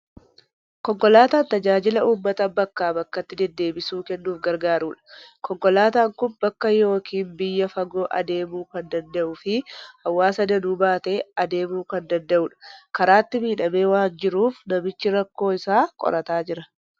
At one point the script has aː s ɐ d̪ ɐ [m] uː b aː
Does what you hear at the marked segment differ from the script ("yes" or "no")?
yes